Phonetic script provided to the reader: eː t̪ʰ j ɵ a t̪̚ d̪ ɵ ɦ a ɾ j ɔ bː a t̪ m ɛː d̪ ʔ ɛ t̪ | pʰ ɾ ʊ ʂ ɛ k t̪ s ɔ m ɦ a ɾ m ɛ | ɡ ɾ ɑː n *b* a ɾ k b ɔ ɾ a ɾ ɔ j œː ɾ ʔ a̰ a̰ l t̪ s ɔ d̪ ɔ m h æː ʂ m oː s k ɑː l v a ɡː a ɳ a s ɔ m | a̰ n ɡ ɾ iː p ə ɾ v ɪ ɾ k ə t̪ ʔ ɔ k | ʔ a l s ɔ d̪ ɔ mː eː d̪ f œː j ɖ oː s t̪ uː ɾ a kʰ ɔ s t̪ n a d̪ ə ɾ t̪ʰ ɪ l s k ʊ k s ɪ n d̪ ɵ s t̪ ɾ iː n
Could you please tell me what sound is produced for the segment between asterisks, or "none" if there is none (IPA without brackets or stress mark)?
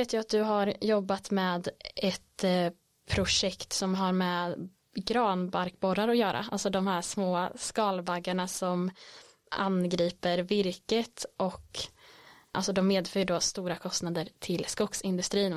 b